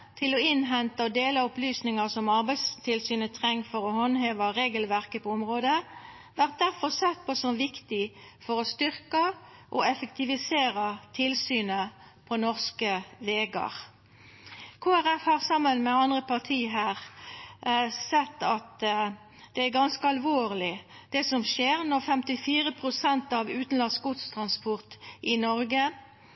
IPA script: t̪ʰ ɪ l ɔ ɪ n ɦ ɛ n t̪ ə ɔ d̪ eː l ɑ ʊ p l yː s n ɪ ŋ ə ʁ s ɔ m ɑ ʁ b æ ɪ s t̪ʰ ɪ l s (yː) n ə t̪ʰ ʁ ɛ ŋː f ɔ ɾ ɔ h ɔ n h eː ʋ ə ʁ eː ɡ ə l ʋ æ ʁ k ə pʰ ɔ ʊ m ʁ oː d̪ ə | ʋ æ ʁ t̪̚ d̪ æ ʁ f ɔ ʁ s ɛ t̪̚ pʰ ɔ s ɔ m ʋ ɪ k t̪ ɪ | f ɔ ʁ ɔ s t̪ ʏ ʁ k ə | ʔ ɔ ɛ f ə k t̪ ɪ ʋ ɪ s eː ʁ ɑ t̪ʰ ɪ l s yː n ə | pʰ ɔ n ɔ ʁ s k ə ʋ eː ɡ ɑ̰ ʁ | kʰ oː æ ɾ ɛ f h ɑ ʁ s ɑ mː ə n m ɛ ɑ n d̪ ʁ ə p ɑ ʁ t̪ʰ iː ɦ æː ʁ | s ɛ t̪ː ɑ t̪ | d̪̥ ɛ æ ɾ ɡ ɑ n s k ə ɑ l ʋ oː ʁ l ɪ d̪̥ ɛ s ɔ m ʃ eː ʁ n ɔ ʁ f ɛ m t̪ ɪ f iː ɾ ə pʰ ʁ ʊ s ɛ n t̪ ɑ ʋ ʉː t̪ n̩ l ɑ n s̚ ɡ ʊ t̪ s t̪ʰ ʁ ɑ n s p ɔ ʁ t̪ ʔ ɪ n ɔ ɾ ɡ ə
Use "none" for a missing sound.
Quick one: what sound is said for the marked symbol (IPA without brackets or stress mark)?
yː